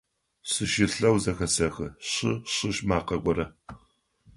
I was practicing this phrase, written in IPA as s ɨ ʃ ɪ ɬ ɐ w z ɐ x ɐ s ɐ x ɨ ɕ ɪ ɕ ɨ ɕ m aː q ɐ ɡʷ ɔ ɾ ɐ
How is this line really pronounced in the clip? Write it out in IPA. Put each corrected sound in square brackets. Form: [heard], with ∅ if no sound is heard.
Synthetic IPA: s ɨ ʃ ɪ ɬ ɐ w z ɐ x ɐ s ɐ x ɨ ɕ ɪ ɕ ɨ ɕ m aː q ɐ ɡʷ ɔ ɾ ɐ